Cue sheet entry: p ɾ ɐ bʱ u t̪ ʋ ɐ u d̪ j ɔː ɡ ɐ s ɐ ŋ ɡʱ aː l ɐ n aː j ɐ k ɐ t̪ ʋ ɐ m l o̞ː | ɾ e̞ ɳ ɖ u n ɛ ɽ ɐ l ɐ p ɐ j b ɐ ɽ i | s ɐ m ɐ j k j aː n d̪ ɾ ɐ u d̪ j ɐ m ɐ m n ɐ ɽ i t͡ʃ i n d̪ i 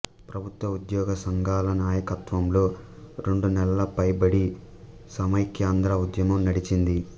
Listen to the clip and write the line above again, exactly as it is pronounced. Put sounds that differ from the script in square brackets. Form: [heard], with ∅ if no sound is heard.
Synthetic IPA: p ɾ ɐ bʱ u t̪ ʋ ɐ u d̪ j ɔː ɡ ɐ s ɐ ŋ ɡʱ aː l ɐ n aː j ɐ k ɐ t̪ ʋ ɐ m l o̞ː | ɾ e̞ ɳ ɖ u n ɛ [l] ɐ l ɐ p ɐ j b ɐ ɽ i | s ɐ m ɐ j k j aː n d̪ ɾ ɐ u d̪ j ɐ m ɐ m n ɐ ɽ i t͡ʃ i n d̪ i

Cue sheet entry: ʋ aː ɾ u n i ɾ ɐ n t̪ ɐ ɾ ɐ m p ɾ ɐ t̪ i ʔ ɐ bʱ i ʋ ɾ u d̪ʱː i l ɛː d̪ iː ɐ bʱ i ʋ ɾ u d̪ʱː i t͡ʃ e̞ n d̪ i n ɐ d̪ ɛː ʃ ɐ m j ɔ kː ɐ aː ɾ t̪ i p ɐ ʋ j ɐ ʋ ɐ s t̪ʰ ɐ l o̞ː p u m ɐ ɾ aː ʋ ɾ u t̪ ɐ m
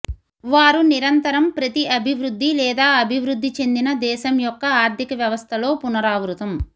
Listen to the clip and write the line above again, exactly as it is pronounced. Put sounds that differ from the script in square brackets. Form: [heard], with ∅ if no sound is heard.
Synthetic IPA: ʋ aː ɾ u n i ɾ ɐ n t̪ ɐ ɾ ɐ m p ɾ ɐ t̪ i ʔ ɐ bʱ i ʋ ɾ u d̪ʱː i l ɛː d̪ [aː] ɐ bʱ i ʋ ɾ u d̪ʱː i t͡ʃ e̞ n d̪ i n ɐ d̪ ɛː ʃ ɐ m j ɔ kː ɐ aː ɾ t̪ i [k] ɐ ʋ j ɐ ʋ ɐ s t̪ʰ ɐ l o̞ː p u [n] ɐ ɾ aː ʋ ɾ u t̪ ɐ m

